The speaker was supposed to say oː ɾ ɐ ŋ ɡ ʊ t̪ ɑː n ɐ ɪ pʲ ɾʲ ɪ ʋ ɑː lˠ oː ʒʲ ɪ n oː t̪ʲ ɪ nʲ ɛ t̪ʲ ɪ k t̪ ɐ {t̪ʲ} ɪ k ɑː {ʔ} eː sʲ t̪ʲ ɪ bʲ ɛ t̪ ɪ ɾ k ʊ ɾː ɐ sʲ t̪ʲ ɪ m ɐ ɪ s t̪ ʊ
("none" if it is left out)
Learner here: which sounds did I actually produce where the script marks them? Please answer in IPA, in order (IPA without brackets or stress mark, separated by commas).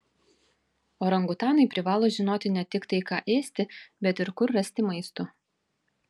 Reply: none, ʔ